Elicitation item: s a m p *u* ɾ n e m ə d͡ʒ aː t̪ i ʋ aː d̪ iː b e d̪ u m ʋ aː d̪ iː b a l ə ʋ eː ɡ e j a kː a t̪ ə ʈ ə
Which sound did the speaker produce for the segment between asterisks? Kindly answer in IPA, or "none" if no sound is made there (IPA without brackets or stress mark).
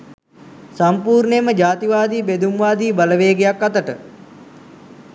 uː